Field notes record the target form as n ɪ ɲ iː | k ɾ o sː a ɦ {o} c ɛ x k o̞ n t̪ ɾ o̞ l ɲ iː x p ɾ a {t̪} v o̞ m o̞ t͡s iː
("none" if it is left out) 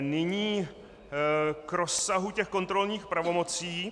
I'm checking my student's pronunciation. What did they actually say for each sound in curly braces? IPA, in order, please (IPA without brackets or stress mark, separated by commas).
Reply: u, none